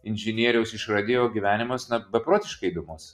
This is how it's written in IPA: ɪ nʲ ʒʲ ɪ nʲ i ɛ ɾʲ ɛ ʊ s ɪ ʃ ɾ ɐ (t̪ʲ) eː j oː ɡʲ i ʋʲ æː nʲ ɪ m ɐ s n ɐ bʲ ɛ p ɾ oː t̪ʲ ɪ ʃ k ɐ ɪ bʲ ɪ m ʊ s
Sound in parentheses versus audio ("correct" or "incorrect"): incorrect